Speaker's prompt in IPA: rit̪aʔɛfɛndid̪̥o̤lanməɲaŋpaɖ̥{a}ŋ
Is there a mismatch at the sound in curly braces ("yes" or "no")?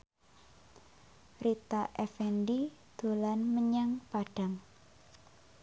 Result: no